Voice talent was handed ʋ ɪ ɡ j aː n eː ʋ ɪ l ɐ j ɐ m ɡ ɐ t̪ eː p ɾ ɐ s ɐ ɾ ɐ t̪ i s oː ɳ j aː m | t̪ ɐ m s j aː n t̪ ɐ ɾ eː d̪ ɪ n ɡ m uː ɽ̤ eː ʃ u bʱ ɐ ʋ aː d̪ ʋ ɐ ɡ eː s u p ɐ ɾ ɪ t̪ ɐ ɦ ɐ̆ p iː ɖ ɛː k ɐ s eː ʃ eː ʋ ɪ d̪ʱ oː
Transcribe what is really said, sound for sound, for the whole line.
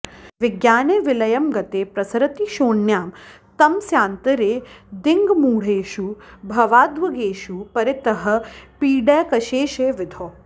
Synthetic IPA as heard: ʋ ɪ ɡ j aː n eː ʋ ɪ l ɐ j ɐ m ɡ ɐ t̪ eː p ɾ ɐ s ɐ ɾ ɐ t̪ i ʃ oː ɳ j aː m | t̪ ɐ m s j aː n t̪ ɐ ɾ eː d̪ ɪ ŋ ɡ m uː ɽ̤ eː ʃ u bʱ ɐ ʋ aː d̪ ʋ ɐ ɡ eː ʃ u p ɐ ɾ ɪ t̪ ɐ ɦ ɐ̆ p iː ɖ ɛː k ɐ ʃ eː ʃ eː ʋ ɪ d̪ʱ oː